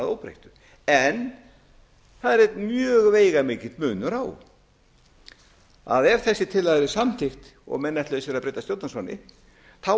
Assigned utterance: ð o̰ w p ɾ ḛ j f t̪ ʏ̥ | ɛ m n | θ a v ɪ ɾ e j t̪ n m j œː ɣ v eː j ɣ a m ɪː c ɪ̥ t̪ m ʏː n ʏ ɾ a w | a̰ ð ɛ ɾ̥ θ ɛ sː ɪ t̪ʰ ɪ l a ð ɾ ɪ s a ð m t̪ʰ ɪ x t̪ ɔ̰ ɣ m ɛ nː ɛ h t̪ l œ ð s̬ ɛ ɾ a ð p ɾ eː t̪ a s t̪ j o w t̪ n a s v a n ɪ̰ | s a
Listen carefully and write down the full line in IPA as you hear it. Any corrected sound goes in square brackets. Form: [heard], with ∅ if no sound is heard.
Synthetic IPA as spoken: ð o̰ w p ɾ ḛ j [h] t̪ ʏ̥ | ɛ [∅] n | θ a [ð] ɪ ɾ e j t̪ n m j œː ɣ v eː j ɣ a m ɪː c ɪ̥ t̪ m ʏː n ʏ ɾ a w | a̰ ð ɛ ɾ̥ θ ɛ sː ɪ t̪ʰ ɪ l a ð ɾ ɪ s a [∅] m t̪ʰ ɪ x t̪ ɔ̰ ɣ m ɛ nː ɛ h t̪ l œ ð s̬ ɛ ɾ a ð p ɾ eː t̪ a s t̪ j o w t̪ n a s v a n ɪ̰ | [θ] a